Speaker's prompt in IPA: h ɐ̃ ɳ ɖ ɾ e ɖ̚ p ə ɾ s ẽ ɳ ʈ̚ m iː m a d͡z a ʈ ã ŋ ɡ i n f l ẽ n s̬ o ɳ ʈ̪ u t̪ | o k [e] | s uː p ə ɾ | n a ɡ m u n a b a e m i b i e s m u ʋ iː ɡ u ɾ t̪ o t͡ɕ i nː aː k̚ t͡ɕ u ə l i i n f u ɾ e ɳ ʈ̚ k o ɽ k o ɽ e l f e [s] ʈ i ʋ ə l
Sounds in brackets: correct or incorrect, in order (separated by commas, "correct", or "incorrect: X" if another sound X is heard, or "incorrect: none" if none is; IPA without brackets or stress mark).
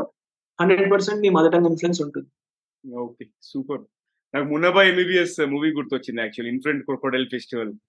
correct, correct